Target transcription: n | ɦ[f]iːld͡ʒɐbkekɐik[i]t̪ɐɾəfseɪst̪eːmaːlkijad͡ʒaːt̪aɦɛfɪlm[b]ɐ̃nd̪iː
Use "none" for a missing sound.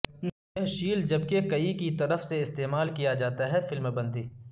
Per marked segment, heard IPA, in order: ʃ, i, b

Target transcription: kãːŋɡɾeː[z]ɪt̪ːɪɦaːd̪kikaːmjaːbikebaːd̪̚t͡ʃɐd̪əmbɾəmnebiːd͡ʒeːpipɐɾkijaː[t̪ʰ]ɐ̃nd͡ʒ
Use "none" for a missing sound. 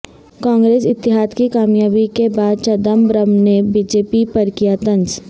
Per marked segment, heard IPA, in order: s, t̪

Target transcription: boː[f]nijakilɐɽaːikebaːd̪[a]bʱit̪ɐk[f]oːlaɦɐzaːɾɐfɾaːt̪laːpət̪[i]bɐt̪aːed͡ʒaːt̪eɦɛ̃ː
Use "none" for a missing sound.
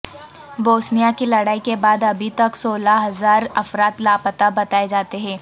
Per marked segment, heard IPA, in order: s, ɐ, s, a

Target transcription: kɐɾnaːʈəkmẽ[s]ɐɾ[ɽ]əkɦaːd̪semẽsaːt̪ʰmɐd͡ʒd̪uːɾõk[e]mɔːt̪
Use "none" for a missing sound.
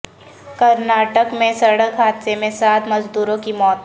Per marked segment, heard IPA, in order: s, ɽ, i

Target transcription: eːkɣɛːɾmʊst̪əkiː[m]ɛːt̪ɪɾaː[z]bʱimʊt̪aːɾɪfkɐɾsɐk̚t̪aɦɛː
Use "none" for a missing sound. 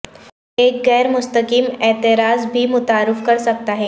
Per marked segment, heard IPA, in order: m, z

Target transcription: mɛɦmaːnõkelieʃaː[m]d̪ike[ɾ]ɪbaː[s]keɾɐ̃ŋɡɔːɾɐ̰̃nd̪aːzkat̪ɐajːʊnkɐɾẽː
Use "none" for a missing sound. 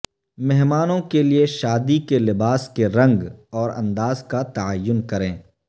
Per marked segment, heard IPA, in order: none, l, s

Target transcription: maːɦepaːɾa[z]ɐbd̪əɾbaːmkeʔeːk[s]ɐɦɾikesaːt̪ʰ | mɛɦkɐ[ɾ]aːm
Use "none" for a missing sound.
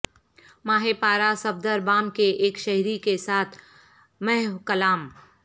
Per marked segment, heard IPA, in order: s, ʃ, l

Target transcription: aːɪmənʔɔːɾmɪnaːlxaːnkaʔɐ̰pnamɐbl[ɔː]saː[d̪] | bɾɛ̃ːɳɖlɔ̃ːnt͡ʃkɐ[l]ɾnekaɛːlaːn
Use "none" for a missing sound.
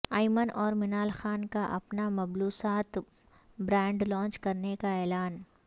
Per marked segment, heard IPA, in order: uː, t̪, none

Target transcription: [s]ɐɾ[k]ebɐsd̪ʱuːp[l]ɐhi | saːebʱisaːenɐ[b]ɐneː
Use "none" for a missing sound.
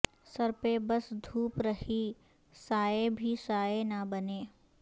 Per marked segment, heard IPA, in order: s, p, ɾ, b

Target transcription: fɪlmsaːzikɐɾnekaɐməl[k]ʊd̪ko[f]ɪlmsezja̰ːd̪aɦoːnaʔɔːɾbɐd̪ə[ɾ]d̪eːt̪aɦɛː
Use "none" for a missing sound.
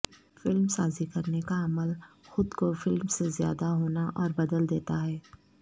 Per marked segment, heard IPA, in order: x, f, l

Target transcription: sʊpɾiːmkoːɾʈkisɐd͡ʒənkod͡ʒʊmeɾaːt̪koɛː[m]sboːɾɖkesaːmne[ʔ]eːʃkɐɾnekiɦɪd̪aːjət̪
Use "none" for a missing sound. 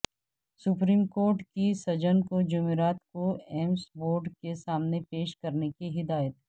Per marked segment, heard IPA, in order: m, p

